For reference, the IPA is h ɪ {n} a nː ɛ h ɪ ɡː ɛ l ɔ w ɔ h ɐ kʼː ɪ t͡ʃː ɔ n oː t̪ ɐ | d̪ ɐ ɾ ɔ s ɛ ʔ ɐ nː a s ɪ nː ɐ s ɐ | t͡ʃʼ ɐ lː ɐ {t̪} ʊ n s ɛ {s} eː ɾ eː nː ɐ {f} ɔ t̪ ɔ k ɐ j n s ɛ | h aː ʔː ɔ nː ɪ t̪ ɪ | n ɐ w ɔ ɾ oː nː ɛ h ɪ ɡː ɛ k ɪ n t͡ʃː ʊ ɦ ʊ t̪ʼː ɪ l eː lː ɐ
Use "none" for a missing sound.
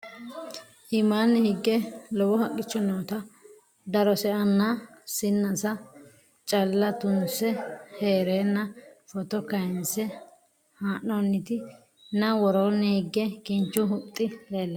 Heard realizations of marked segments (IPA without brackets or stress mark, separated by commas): m, t̪, h, f